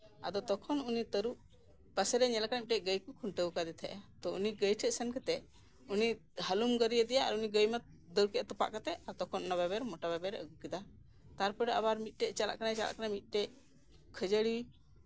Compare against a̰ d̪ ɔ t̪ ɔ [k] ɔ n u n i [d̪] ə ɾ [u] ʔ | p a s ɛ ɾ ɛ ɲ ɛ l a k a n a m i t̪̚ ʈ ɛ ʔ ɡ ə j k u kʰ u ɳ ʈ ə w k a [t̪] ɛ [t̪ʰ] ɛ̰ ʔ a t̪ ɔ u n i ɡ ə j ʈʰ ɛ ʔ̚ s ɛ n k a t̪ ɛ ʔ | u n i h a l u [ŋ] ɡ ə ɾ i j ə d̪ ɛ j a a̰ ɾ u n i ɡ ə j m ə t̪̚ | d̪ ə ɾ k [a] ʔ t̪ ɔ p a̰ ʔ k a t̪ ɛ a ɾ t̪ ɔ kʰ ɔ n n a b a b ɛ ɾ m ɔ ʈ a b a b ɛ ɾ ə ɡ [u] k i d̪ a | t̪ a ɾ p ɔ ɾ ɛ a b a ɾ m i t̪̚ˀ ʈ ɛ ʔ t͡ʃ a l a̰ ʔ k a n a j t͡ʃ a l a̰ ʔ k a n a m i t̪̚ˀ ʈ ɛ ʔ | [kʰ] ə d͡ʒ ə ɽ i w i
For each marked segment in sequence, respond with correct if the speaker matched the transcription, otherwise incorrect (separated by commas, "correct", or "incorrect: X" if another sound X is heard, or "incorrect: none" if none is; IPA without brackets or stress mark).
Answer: incorrect: kʰ, incorrect: t̪, correct, incorrect: d̪, correct, incorrect: m, incorrect: ɛ, correct, correct